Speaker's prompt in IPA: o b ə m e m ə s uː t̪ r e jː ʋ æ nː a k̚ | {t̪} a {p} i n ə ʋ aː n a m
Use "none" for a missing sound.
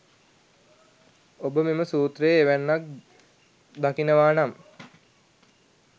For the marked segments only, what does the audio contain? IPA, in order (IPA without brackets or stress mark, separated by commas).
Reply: d̪, k